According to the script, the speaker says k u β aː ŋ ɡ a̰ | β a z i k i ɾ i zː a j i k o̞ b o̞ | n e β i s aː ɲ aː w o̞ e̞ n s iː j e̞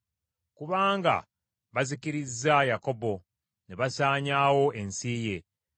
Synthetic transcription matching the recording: k u β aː ŋ ɡ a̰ | β a z i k i ɾ i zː a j a k o̞ b o̞ | n e β a s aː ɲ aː w o̞ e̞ n s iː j e̞